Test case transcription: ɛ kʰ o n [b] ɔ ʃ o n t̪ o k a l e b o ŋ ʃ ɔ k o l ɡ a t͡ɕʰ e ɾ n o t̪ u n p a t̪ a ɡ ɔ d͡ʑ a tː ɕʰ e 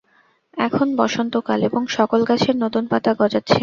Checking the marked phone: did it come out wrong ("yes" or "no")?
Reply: no